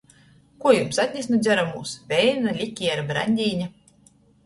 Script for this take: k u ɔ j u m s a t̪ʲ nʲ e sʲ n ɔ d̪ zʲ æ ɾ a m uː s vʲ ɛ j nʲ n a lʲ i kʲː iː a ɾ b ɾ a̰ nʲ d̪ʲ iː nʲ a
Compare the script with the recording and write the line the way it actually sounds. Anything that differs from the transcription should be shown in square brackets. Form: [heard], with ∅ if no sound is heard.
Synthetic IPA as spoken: k u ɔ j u m s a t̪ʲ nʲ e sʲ n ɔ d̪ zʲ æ ɾ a m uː s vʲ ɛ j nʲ n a lʲ i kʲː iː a ɾ b ɾ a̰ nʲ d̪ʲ iː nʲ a